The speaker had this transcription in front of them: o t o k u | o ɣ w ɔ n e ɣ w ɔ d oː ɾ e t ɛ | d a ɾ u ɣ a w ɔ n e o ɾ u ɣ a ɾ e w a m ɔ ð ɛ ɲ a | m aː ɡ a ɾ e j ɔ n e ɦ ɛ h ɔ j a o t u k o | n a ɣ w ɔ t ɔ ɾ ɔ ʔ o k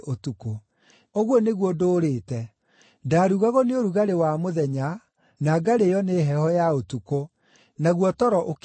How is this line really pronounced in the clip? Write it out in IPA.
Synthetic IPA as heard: o t u k o | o ɣ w ɔ n e ɣ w ɔ d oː ɾ e t ɛ | d a ɾ u ɣ a ɣ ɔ n e o ɾ u ɣ a ɾ e w a m o ð ɛ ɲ a | n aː ɡ a ɾ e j ɔ n e ɦ ɛ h ɔ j a o t u k o | n a ɣ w ɔ t ɔ ɾ ɔ ʔ o k